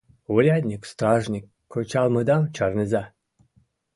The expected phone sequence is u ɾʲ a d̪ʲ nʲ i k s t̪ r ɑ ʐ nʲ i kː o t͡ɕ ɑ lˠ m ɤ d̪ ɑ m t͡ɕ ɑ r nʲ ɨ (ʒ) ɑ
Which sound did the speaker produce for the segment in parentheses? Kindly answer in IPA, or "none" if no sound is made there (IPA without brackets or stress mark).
z